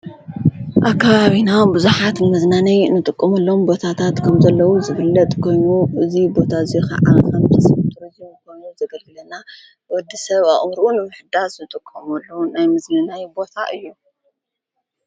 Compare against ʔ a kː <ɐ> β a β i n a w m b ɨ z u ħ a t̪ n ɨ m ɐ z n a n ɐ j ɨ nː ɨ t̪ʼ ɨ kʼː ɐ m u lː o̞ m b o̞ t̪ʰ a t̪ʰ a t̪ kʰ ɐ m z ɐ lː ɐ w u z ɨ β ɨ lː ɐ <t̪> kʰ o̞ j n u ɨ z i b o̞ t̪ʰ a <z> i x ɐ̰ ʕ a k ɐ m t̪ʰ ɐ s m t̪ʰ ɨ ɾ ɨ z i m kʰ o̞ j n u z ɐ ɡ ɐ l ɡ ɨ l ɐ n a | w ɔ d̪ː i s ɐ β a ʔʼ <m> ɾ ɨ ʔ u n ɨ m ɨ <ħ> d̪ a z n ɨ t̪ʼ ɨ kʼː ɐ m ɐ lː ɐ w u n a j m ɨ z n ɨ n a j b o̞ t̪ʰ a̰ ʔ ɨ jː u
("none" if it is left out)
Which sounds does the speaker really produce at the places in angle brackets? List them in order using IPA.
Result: a, t̪ʼ, z, m, ħ

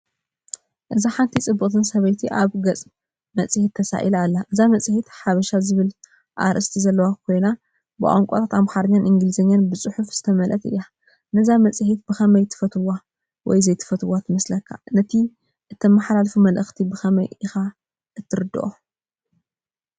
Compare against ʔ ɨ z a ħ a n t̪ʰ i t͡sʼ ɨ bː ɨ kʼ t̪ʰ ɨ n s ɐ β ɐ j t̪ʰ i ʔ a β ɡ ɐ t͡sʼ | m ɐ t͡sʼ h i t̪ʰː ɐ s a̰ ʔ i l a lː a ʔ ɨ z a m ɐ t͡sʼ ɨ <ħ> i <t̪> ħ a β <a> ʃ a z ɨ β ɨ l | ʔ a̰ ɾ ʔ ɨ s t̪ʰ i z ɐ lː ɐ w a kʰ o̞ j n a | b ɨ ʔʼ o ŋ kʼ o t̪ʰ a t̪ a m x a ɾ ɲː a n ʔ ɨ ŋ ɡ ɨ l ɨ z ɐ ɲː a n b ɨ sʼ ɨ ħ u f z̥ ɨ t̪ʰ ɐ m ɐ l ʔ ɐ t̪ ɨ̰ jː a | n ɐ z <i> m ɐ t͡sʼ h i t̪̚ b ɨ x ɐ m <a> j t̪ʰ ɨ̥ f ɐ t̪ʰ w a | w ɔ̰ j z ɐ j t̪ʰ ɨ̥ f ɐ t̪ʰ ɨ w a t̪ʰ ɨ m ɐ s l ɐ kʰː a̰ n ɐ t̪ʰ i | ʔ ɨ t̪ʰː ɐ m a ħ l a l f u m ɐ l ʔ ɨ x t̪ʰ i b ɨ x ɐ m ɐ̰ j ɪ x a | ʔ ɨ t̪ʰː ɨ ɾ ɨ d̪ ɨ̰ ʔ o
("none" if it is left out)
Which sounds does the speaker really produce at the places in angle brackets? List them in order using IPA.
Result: h, t̪, ɐ, a, ɐ

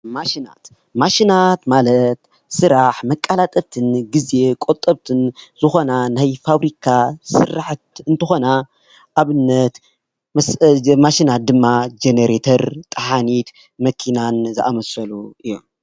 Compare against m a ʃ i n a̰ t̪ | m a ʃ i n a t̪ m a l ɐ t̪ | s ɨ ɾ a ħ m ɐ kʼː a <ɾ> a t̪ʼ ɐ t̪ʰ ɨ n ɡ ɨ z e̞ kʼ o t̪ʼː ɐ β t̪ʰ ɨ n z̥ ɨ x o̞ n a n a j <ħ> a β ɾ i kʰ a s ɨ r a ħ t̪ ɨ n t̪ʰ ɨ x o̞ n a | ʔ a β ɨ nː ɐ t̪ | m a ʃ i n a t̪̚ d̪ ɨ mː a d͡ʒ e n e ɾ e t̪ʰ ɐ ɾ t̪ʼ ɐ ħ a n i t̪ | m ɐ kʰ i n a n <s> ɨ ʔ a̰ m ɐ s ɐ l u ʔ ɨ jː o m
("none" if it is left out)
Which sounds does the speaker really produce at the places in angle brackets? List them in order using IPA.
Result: l, f, z

